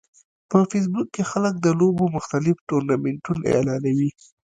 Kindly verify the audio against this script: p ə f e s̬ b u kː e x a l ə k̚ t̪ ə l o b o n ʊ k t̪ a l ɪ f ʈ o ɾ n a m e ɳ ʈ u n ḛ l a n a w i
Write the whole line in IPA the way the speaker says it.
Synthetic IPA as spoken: p ə f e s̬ b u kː e x a l ə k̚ d̪ ə l o b o m ʊ x t̪ a l ɪ f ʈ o ɾ n a m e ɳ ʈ u n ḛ l ɑ n a w i